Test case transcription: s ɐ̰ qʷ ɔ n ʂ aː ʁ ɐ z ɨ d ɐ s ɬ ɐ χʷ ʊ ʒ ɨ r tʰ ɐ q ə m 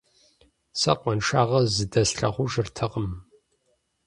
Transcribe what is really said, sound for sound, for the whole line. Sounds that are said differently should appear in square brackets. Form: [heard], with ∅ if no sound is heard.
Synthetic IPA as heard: s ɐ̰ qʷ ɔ n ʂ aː ʁ ɐ z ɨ d ɐ s ɬ ɐ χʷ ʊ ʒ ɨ r tʰ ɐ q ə m